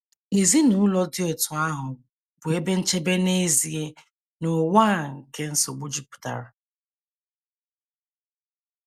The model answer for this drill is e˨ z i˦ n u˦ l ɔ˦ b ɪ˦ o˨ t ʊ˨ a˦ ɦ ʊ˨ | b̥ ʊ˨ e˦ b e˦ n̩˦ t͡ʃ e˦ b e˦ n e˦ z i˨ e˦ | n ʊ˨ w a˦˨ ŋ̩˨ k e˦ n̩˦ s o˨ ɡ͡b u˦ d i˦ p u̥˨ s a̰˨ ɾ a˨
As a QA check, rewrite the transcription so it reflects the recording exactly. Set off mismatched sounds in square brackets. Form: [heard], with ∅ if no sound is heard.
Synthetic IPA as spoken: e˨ z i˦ n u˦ l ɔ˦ [d] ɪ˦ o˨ t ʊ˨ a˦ ɦ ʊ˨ | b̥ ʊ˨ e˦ b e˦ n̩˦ t͡ʃ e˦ b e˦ n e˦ z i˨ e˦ | n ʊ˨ w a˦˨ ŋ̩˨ k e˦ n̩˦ s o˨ ɡ͡b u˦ [d͡ʒ] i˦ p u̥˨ [t] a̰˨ ɾ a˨